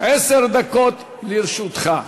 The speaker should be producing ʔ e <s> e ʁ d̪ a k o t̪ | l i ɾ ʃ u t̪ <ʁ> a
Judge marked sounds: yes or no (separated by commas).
yes, no